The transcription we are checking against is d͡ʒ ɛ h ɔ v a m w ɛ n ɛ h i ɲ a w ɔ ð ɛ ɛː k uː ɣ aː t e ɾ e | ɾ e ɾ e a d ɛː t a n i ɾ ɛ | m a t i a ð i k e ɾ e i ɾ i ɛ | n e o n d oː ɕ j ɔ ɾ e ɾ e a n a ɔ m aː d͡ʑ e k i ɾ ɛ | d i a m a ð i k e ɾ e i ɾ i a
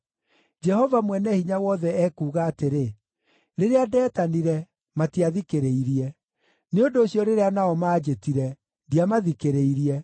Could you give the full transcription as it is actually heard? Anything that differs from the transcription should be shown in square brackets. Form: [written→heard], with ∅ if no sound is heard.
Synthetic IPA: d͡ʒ ɛ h ɔ v a m w ɛ n ɛ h i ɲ a w ɔ ð ɛ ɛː k uː ɣ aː t e ɾ e | ɾ e ɾ e a d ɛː t a n i ɾ ɛ | m a t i a ð i k e ɾ e i ɾ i ɛ | n e o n d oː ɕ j ɔ ɾ e ɾ e a n a ɔ m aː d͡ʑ e [k→t] i ɾ ɛ | d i a m a ð i k e ɾ e i ɾ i [a→ɛ]